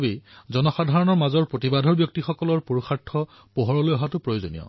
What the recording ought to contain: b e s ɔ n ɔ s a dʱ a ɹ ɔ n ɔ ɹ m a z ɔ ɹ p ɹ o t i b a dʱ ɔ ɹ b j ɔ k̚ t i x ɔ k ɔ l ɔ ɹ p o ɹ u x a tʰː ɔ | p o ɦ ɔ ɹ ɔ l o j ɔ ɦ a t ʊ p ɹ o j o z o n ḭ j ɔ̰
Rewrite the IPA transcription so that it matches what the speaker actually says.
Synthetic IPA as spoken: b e z ɔ n ɔ x a dʱ a ɹ ɔ n ɔ ɹ m a z ɔ ɹ p ɹ o t i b a dʱ ɔ ɹ b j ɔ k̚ t i x ɔ k ɔ l ɔ ɹ p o ɹ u x a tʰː ɔ | p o ɦ ɔ ɹ ɔ l o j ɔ ɦ a t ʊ p ɹ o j o z o n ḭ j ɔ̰